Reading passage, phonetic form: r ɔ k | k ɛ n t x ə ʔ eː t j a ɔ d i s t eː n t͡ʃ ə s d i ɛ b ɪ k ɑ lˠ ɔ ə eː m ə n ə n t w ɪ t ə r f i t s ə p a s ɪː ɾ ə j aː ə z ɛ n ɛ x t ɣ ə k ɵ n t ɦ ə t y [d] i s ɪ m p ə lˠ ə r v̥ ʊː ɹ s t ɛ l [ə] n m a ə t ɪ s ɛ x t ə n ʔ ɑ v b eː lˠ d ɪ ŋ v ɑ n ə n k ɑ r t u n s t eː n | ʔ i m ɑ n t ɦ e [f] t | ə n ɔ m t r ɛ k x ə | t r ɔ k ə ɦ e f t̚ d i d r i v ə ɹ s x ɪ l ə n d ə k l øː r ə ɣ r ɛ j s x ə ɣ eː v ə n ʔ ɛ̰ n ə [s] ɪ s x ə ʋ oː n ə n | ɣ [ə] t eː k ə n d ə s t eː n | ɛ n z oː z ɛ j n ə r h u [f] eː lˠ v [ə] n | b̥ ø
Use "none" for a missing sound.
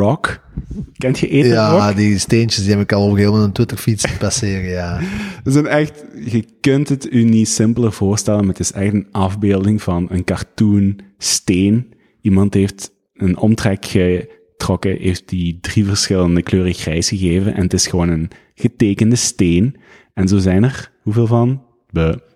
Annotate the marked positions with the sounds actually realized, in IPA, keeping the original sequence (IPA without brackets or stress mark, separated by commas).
n, ə, f, t, ə, v, ɑ